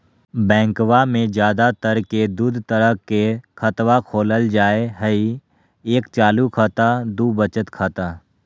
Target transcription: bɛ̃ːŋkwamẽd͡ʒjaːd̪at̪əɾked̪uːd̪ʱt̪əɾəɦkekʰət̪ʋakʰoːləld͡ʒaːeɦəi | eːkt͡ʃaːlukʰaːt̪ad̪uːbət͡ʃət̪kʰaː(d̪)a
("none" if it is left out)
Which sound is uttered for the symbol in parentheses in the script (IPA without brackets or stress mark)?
t̪